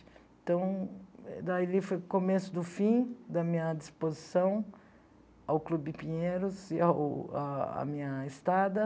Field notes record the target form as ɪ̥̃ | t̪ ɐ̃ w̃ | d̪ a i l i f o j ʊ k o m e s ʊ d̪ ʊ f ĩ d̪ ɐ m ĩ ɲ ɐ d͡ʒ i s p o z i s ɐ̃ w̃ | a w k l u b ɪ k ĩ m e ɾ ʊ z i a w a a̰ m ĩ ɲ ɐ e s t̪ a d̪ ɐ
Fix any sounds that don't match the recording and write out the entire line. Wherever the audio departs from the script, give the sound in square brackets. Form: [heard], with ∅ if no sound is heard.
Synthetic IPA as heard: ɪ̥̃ | t̪ ɐ̃ w̃ | d̪ a i l i f o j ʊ k o m e s ʊ d̪ ʊ f ĩ d̪ ɐ m ĩ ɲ ɐ d͡ʒ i s p o z i s ɐ̃ w̃ | a w k l u b ɪ [p] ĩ [ɲ] e ɾ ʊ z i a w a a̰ m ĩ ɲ ɐ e s t̪ a d̪ ɐ